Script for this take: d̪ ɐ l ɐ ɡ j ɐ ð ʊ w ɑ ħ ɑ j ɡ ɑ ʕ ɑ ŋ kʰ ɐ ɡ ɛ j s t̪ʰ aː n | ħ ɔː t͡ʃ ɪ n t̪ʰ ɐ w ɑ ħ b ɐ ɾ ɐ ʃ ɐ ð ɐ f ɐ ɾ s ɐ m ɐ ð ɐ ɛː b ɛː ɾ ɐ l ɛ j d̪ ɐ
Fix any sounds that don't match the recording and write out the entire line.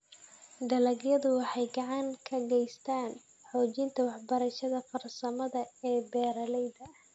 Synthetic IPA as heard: d̪ ɐ l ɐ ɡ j ɐ ð ʊ w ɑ ħ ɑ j ɡ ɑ ʕ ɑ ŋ kʰ ɐ ɡ ɛ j s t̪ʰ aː n | ħ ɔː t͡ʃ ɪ n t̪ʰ ɐ w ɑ ħ b ɐ ɾ ɐ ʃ ɐ ð ɐ f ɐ r s ɐ m ɐ ð ɐ ɛː b ɛː ɾ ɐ l ɛ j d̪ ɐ